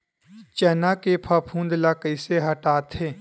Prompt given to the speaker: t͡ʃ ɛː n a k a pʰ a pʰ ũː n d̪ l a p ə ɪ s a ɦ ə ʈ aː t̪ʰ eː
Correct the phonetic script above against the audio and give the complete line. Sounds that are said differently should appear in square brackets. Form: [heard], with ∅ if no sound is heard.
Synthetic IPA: t͡ʃ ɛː n a k [e] pʰ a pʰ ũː n d̪ l a [k] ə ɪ s [e] ɦ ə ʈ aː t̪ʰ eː